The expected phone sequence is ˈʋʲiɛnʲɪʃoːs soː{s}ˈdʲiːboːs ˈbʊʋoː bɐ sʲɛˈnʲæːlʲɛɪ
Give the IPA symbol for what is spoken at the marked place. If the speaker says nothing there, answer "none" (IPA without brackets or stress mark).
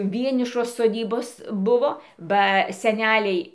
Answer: none